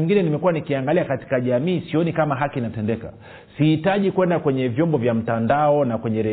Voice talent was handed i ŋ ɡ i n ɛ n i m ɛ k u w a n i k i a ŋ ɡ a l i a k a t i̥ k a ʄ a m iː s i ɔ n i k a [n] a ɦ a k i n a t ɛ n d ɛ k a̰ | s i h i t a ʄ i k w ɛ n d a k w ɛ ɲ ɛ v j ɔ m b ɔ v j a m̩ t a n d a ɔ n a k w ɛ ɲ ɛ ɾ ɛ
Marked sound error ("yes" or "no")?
yes